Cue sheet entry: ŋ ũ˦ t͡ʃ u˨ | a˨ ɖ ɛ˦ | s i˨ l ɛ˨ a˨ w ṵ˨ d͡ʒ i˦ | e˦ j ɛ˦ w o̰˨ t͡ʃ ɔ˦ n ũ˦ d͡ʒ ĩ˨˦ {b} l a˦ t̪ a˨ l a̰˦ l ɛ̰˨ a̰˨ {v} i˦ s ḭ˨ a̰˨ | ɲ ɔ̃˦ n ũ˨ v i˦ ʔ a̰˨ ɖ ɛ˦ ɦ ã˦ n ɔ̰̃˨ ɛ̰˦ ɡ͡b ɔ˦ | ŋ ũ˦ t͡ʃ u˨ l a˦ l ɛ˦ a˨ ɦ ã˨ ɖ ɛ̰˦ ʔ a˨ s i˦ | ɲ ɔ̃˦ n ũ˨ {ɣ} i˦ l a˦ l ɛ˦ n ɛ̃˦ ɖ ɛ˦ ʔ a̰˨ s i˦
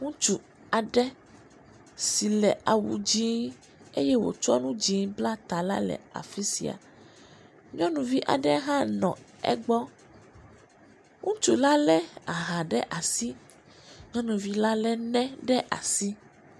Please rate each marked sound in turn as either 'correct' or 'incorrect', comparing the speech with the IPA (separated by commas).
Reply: correct, incorrect, incorrect